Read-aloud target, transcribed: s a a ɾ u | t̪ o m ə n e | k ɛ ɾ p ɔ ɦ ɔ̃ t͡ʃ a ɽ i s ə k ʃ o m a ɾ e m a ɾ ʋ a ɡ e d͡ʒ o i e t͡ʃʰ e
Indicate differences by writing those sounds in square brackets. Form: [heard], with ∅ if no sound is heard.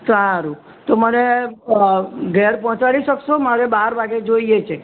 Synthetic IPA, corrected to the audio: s a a ɾ u | t̪ o m ə n e | [ɡ] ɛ ɾ p ɔ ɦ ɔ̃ t͡ʃ a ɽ i [ʃ] ə k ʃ o m a ɾ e [b] a ɾ ʋ a ɡ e d͡ʒ o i e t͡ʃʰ e